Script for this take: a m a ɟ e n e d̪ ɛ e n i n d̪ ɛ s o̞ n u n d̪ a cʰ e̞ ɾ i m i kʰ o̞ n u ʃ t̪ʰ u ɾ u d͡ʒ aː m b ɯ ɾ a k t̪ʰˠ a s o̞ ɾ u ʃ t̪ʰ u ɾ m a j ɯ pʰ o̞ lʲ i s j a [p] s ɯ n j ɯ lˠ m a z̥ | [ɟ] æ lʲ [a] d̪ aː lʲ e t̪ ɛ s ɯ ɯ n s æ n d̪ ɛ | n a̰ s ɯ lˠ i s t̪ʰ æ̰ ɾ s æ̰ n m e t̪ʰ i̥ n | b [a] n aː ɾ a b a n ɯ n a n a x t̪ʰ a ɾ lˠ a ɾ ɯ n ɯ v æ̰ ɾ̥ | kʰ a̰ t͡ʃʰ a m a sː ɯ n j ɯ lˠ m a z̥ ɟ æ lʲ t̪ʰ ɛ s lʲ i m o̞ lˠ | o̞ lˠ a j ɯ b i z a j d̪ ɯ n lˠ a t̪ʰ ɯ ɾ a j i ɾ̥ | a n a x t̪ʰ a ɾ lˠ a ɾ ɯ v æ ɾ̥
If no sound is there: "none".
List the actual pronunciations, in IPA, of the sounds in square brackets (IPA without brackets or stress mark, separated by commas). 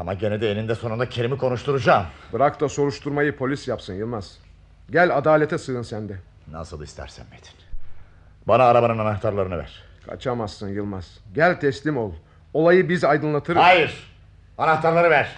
p, ɟ, a, a